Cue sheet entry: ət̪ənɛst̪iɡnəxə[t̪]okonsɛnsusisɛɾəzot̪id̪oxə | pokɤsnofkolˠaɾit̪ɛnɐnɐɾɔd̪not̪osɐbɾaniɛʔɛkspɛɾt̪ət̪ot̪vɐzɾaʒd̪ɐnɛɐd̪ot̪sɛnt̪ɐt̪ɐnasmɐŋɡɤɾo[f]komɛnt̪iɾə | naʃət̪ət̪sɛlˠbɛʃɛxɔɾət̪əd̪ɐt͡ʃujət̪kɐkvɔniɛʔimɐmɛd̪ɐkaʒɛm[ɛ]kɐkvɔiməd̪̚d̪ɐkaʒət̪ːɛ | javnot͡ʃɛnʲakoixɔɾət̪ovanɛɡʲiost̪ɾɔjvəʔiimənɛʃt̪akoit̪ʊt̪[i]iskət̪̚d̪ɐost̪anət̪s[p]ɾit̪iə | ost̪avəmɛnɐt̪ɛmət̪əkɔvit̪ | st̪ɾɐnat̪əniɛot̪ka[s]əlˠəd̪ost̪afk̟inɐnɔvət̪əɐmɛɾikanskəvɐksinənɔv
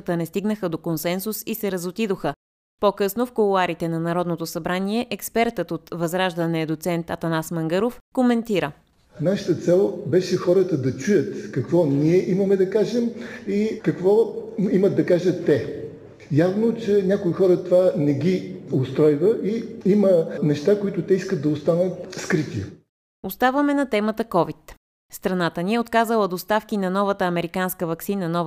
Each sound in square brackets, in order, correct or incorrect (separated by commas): incorrect, correct, incorrect, incorrect, incorrect, incorrect